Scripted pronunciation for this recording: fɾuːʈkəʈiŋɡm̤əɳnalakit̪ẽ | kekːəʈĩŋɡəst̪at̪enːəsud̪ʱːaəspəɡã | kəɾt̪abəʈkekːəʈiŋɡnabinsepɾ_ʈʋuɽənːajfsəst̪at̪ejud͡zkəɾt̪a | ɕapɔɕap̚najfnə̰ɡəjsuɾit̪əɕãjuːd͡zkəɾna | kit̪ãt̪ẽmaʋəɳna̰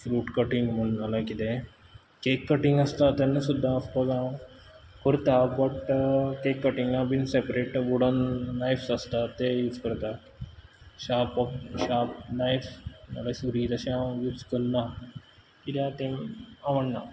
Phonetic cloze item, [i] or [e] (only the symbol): e